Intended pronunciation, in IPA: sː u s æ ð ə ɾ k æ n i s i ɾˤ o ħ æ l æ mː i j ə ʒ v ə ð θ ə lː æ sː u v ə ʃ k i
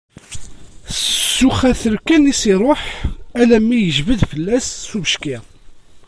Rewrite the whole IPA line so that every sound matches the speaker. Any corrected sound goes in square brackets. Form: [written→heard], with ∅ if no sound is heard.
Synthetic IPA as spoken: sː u [s→χ] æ [ð→θ] ə ɾ k æ n i s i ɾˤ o ħ æ l æ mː i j ə ʒ v ə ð [θ→f] ə lː æ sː u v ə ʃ k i